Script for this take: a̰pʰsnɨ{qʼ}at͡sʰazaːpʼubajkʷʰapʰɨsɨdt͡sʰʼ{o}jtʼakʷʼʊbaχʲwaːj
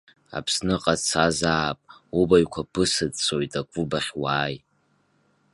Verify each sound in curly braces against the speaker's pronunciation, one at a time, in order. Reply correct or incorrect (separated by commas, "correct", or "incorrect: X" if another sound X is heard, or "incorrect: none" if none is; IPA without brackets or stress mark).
correct, correct